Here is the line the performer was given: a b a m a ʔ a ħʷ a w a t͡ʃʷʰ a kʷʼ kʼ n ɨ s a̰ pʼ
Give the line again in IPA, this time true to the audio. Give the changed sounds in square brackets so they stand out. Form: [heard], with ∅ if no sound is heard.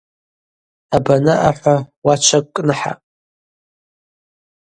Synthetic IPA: a b a [n] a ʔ a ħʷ a w a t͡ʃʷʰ a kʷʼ kʼ n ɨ [ħ] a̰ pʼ